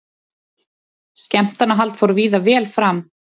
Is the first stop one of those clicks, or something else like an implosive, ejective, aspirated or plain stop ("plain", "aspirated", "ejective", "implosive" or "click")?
plain